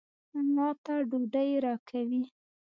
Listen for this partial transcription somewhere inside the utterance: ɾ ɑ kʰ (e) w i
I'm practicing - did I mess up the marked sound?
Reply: yes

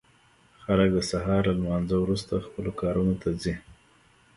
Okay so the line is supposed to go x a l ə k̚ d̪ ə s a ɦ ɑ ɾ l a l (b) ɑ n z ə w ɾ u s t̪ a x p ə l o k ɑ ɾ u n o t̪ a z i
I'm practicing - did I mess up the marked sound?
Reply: yes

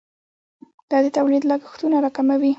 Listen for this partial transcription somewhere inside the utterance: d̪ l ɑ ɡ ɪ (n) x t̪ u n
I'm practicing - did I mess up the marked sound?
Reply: yes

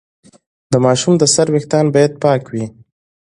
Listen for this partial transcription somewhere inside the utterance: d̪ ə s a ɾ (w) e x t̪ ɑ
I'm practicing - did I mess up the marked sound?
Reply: no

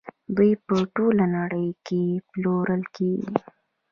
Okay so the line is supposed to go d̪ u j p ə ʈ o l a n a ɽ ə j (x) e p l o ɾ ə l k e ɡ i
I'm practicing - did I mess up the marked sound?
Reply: yes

